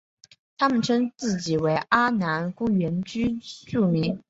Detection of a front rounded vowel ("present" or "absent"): present